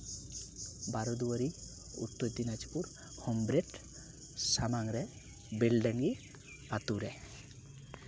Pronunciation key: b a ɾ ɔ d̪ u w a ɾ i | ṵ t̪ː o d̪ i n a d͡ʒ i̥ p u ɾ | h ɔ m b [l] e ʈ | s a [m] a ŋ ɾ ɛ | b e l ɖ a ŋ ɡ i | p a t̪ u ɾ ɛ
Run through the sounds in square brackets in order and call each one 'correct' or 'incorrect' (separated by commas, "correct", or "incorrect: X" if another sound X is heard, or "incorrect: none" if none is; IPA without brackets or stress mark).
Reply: incorrect: ɾ, correct